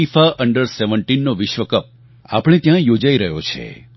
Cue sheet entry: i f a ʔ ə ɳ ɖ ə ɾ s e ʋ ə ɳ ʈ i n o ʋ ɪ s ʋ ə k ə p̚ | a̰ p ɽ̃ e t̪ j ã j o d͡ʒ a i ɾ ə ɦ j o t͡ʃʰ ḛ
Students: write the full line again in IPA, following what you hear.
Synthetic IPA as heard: i f a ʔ ə ɳ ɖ ə ɾ s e ʋ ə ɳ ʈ i nː o ʋ ɪ ʃ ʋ ə k ə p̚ | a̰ p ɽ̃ e t̪ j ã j o d͡ʒ a i ɾ ə ɦ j o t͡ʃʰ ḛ